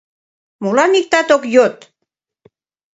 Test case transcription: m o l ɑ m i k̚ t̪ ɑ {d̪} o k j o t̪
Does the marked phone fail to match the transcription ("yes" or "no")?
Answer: yes